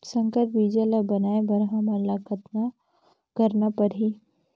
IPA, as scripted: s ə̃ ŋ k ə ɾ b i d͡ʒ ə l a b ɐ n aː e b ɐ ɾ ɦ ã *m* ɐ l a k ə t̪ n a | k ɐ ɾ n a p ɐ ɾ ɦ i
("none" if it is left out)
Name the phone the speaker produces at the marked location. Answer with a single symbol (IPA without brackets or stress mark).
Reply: m